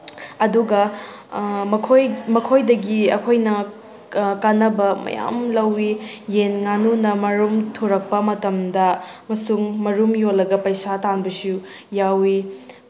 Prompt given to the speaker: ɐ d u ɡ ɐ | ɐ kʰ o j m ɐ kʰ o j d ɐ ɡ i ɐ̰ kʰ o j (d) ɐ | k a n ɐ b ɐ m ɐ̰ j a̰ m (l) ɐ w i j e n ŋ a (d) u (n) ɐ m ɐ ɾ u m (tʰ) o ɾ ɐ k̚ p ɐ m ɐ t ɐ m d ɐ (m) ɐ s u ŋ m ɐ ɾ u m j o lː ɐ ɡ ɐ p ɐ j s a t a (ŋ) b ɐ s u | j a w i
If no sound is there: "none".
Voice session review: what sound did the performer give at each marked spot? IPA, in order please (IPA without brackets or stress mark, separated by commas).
n, l, n, n, tʰ, m, n